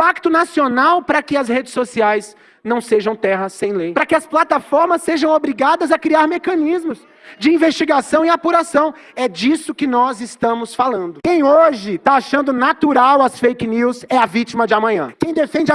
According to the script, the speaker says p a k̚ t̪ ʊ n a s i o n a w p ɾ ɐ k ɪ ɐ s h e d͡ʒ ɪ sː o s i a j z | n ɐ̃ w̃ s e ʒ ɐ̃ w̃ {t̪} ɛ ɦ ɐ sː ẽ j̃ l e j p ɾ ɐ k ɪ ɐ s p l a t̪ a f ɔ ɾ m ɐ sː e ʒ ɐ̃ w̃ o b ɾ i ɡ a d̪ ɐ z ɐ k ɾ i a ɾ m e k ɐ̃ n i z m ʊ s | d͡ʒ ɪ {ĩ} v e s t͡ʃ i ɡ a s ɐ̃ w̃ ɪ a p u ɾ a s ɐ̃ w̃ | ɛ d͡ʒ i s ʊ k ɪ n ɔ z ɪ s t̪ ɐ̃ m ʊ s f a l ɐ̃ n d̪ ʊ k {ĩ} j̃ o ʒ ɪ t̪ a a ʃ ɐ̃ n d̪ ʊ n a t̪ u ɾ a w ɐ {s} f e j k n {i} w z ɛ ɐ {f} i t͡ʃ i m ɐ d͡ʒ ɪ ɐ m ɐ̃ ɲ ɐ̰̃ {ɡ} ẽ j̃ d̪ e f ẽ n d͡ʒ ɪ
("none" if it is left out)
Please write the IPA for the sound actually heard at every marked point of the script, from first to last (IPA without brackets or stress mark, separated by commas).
t̪, ĩ, ẽ, s, i, v, k